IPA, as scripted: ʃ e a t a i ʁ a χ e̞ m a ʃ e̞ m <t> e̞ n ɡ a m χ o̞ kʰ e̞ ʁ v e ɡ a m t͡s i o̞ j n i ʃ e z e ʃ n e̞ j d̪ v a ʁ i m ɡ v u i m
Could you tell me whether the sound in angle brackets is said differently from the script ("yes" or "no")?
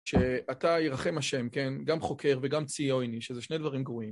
yes